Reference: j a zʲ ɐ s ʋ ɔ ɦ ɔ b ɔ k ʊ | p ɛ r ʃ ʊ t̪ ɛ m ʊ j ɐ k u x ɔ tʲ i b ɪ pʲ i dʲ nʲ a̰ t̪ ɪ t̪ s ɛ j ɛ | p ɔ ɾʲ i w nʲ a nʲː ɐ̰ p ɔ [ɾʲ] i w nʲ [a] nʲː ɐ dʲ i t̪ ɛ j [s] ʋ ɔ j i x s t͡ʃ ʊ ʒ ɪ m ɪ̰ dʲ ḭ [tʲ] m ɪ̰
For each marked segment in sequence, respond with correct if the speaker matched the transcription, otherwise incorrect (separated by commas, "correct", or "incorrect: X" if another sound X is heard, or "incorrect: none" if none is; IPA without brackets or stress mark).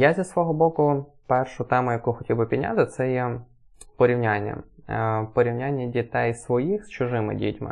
correct, correct, correct, correct